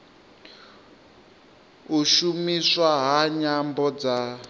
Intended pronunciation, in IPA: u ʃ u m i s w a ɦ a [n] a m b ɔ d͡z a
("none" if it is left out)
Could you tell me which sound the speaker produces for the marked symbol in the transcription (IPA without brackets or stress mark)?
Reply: ɲ